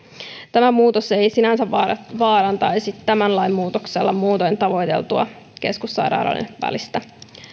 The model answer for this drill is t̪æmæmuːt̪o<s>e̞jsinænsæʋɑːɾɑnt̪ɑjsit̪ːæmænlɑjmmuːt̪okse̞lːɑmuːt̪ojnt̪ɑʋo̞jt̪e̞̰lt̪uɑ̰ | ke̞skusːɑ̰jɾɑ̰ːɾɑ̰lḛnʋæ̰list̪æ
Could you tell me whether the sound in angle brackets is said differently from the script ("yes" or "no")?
no